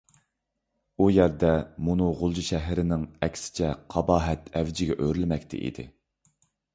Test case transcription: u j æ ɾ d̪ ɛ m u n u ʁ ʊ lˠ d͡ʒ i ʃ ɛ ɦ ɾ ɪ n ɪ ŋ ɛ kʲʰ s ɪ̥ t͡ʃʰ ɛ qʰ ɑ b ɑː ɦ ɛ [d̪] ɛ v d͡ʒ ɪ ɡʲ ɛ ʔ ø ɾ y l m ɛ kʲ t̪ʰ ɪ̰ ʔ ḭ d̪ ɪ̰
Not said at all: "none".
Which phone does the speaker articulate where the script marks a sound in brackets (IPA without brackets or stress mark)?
t̪